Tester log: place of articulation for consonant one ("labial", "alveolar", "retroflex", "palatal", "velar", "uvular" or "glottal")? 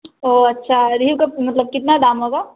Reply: alveolar